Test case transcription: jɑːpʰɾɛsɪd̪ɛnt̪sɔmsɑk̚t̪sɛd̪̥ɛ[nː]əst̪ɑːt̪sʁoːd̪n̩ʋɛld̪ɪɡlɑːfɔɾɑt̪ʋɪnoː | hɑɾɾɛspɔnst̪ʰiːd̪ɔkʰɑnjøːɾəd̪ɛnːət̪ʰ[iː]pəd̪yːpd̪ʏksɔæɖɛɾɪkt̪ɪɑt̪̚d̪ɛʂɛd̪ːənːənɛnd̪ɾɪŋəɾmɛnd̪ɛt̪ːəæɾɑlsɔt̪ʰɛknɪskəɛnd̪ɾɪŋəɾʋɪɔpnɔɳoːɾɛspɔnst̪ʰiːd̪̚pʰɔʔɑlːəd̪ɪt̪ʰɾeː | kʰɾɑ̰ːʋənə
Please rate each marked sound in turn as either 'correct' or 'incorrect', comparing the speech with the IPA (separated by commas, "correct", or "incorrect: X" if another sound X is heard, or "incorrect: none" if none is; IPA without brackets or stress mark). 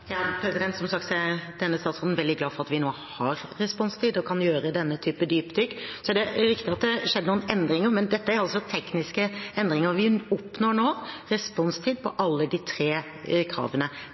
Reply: correct, incorrect: yː